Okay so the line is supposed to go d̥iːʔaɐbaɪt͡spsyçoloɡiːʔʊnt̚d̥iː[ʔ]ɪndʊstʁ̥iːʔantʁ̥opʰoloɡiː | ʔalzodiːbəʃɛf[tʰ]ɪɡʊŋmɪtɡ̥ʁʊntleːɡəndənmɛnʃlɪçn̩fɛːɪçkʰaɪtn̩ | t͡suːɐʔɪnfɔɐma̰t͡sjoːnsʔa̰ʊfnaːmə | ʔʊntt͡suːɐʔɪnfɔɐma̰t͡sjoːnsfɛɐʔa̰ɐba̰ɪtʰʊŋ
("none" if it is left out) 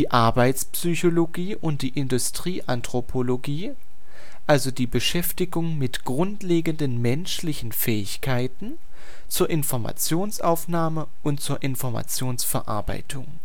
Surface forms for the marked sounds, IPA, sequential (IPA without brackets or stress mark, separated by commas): ʔ, t